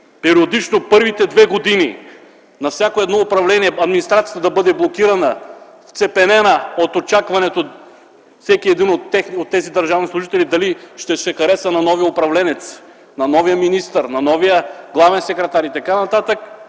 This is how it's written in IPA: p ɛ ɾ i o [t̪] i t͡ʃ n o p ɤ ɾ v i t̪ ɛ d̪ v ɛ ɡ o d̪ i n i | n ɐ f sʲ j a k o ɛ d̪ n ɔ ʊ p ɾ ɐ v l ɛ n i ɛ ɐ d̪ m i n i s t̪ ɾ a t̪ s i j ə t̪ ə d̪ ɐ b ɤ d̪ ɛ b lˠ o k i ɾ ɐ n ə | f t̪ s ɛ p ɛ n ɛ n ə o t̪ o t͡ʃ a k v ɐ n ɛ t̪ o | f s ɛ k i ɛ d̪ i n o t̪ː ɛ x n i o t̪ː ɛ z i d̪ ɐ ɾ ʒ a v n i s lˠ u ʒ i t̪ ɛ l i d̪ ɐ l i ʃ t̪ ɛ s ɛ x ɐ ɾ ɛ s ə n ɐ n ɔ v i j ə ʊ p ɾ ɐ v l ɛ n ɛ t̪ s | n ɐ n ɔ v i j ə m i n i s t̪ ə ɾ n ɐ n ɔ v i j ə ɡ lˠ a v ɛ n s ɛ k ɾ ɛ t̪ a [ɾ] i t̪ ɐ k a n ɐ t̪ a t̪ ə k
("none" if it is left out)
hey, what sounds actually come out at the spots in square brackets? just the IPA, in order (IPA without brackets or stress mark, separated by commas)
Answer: d̪, ɾ